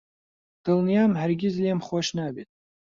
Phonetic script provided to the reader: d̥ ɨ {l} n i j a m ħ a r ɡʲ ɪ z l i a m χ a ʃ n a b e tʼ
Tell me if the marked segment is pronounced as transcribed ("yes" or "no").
yes